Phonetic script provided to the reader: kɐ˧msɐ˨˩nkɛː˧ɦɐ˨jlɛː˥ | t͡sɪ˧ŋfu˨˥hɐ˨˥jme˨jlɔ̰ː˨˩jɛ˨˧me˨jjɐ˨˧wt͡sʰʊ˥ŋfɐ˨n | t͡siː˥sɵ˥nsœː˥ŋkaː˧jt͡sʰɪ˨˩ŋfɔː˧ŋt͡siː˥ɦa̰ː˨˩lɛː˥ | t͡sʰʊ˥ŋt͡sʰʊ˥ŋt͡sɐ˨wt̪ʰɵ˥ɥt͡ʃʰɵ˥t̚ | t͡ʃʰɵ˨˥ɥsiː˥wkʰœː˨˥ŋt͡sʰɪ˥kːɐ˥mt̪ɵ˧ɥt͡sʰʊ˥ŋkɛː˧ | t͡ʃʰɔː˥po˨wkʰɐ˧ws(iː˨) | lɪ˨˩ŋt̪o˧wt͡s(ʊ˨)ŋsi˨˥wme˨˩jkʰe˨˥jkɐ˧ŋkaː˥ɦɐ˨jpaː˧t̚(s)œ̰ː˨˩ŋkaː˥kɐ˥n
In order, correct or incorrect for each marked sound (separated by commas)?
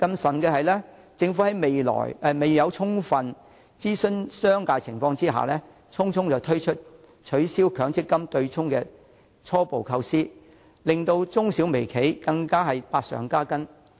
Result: incorrect, incorrect, correct